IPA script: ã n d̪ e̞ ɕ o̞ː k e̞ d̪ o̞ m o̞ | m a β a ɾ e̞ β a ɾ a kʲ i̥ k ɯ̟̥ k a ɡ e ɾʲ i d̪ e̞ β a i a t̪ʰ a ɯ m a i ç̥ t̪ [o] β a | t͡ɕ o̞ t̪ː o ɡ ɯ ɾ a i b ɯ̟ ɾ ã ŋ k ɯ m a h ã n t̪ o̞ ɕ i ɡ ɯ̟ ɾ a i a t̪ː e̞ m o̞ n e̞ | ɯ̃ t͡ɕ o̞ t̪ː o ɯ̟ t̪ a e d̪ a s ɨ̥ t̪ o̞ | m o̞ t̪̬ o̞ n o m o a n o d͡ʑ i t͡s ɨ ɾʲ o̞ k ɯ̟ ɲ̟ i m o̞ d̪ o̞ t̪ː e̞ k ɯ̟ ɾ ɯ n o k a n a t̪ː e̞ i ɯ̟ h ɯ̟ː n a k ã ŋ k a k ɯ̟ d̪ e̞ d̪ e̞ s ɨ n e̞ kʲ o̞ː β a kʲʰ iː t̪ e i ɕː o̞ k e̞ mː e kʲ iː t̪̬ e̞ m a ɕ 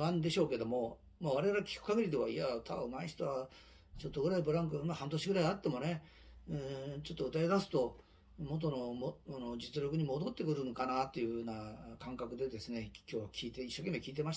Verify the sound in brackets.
correct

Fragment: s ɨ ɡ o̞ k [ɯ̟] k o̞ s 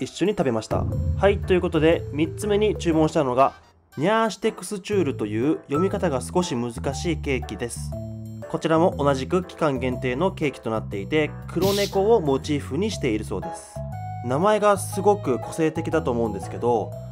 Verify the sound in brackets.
correct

